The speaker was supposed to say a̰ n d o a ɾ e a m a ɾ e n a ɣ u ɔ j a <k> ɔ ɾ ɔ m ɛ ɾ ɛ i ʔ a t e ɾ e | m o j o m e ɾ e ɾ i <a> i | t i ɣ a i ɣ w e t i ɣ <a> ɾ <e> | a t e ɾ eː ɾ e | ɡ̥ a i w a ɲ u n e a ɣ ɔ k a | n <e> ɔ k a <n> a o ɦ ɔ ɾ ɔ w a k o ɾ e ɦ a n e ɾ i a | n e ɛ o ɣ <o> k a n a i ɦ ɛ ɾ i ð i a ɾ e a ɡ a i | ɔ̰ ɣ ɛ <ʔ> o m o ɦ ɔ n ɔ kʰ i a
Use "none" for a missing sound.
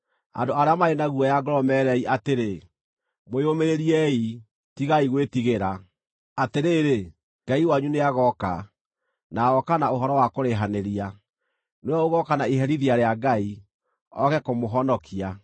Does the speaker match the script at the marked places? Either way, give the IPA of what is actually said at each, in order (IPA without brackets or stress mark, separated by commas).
ɡ, ɛ, e, a, a, n, ɔ, k